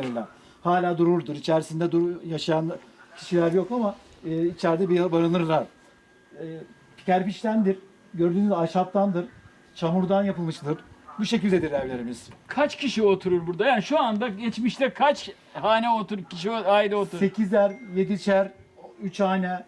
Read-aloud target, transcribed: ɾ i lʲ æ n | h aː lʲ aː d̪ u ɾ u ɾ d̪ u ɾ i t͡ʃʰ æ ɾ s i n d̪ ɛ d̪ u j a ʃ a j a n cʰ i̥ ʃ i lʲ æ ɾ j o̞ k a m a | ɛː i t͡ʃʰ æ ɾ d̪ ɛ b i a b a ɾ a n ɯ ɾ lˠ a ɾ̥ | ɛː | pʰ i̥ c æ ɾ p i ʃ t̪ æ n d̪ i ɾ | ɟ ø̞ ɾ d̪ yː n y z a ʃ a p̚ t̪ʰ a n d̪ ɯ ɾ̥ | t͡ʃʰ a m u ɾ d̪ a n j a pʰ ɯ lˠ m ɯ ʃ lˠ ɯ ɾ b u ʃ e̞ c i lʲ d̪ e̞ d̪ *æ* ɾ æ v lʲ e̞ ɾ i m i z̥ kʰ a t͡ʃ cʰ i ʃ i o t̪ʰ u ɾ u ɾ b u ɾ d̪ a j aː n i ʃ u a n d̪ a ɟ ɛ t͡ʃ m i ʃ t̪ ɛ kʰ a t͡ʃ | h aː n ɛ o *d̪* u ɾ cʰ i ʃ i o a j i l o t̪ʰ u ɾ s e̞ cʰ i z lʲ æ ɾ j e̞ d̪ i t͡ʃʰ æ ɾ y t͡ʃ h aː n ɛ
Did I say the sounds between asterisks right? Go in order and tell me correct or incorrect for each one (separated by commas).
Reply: incorrect, incorrect